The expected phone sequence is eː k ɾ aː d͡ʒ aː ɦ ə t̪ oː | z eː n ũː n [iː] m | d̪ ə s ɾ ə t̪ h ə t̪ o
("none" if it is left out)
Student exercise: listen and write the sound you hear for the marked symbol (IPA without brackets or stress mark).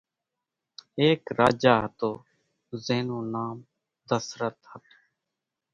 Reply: aː